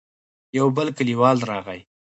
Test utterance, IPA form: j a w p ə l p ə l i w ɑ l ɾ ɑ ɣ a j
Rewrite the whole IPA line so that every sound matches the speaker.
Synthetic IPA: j a w b ə l k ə l i w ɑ l ɾ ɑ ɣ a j